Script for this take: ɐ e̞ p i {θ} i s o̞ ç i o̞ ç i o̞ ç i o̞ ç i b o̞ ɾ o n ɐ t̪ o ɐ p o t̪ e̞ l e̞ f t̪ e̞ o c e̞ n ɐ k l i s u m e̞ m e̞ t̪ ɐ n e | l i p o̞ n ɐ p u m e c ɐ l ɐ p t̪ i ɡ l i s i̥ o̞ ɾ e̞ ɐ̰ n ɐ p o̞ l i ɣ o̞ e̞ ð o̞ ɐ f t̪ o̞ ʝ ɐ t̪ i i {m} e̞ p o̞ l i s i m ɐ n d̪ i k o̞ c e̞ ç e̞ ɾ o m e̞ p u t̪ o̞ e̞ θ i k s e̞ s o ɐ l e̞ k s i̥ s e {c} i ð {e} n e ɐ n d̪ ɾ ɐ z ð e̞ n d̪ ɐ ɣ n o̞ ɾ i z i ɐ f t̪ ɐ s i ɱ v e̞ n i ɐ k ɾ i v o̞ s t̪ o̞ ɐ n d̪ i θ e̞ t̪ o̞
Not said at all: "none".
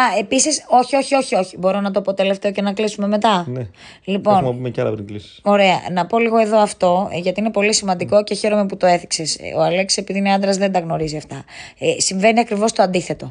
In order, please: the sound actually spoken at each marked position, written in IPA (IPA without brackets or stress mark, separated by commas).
s, n, p, i